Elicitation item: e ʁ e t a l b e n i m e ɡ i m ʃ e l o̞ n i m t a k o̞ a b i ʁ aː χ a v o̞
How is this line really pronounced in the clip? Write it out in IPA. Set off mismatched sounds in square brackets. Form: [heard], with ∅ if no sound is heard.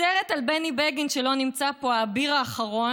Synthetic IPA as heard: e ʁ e t a l b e n i [b] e ɡ i [n] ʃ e l o̞ n i m [t͡s] a [p] o̞ a b i ʁ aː χ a [ʁ] o̞